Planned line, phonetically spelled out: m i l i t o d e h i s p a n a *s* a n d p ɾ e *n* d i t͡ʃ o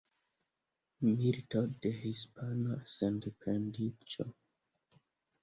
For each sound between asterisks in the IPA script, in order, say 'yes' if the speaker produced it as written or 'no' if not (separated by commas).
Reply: yes, yes